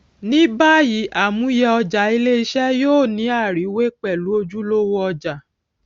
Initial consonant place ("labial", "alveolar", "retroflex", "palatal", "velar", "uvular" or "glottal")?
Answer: alveolar